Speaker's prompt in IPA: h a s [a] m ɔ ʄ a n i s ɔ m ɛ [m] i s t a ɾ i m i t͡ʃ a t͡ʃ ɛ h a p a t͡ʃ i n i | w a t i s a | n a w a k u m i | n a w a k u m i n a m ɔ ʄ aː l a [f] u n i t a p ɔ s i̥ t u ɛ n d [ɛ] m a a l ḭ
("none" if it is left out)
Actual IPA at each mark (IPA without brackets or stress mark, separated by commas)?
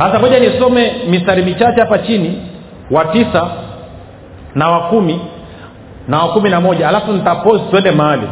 a, m, f, ɛ